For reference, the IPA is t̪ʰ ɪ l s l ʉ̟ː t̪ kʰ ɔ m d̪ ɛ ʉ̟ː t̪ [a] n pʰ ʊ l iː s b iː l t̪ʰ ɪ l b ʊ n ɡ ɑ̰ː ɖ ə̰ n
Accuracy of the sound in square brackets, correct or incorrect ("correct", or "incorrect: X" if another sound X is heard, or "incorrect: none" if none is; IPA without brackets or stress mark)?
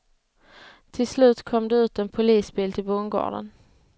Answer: incorrect: ɛ